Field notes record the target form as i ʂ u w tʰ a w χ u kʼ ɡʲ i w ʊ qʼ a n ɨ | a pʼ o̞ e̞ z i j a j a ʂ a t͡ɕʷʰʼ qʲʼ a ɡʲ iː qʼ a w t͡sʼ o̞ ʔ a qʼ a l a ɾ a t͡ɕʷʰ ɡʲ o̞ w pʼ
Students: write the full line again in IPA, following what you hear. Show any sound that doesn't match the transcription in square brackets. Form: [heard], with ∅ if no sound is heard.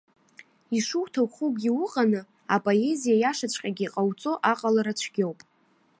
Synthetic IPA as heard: i ʂ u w tʰ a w χ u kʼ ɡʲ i w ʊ qʼ a n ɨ | a pʼ o̞ e̞ z i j a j a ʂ a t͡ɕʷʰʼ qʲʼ a ɡʲ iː qʼ a w t͡sʼ o̞ ʔ a qʼ a l a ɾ a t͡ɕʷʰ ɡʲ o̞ w pʼ